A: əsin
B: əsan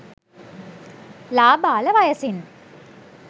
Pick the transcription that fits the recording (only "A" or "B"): A